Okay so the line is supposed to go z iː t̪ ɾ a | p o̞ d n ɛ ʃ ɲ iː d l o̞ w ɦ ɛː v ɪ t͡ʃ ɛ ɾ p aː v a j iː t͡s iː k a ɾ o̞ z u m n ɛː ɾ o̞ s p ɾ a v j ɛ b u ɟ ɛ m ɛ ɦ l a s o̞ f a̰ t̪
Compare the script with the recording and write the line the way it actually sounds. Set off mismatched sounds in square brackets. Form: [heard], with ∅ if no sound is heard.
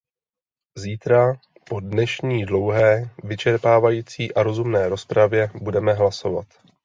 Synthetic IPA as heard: z iː t̪ ɾ a | p o̞ d n ɛ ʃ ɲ iː d l o̞ w ɦ ɛː v ɪ t͡ʃ ɛ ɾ p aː v a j iː t͡s iː [ʔ] a ɾ o̞ z u m n ɛː ɾ o̞ s p ɾ a v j ɛ b u [d] ɛ m ɛ ɦ l a s o̞ [v] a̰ t̪